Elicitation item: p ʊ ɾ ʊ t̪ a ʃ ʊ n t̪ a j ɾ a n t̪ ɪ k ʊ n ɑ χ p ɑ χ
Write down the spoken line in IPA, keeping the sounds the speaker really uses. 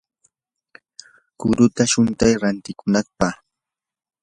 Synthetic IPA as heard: k ʊ ɾ ʊ t̪ a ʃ ʊ n t̪ a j ɾ a n t̪ ɪ k ʊ n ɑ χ p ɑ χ